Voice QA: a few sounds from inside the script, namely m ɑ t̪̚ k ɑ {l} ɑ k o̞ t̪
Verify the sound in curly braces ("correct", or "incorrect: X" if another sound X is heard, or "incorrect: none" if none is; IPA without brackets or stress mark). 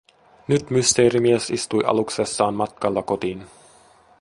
incorrect: lː